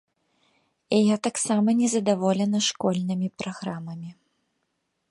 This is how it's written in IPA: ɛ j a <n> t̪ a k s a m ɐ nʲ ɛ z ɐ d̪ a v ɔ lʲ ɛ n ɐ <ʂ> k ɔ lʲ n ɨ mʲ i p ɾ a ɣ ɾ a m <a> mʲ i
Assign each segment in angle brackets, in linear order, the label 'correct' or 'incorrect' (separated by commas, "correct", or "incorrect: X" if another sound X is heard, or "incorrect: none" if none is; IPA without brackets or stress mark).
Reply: incorrect: none, correct, incorrect: ɐ